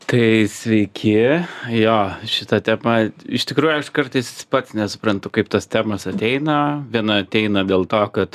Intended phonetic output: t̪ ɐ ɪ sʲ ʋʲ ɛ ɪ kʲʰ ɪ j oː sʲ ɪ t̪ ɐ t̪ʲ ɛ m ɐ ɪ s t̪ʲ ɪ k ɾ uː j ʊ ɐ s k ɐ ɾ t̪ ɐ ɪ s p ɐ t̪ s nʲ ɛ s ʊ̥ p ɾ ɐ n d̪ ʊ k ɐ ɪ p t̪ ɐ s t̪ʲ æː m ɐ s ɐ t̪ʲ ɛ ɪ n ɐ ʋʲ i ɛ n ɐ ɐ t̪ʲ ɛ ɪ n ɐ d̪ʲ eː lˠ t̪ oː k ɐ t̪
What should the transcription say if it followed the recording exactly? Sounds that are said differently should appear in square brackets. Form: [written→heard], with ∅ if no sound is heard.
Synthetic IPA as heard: t̪ ɐ ɪ sʲ ʋʲ ɛ ɪ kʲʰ ɪ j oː [sʲ→ʃʲ] ɪ t̪ ɐ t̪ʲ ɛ m ɐ ɪ [s→ʃ] t̪ʲ ɪ k ɾ uː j ʊ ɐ [s→ʃ] k ɐ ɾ t̪ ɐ ɪ s p ɐ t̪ s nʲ ɛ s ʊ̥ p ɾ ɐ n [d̪→t̪] ʊ k ɐ ɪ p t̪ ɐ s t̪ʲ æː m ɐ s ɐ t̪ʲ ɛ ɪ n ɐ ʋʲ i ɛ n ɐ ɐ t̪ʲ ɛ ɪ n ɐ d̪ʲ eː lˠ t̪ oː k ɐ t̪